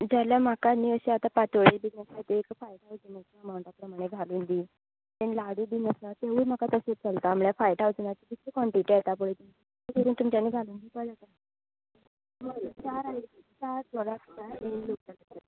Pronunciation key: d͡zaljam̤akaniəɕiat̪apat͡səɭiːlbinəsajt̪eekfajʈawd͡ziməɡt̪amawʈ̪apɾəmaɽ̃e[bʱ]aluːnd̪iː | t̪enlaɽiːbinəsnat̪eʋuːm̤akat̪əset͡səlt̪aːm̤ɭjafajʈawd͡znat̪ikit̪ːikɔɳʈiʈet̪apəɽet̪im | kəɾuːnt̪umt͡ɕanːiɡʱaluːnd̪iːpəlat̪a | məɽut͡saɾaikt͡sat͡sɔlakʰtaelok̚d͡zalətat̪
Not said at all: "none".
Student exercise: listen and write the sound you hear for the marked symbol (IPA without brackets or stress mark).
ɡʱ